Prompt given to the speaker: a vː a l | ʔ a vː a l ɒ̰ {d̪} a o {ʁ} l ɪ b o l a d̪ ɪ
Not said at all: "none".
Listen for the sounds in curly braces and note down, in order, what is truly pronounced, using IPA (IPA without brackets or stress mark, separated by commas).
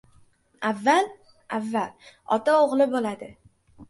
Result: t̪, ʁ